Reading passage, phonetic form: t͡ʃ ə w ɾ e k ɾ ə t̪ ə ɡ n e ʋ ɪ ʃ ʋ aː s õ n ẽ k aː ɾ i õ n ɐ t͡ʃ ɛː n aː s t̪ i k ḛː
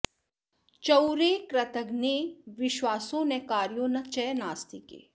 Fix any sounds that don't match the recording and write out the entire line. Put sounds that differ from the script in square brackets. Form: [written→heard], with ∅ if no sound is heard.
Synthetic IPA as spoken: t͡ʃ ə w ɾ e k ɾ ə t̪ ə ɡ n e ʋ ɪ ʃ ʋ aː s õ n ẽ k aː ɾ [i→j] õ n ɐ t͡ʃ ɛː n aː s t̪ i k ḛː